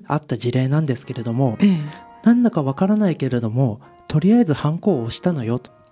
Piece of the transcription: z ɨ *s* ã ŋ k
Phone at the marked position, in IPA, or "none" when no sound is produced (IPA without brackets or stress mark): h